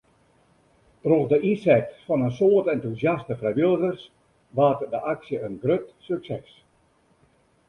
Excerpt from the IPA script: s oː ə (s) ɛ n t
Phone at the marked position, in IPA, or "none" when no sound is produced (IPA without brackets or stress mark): t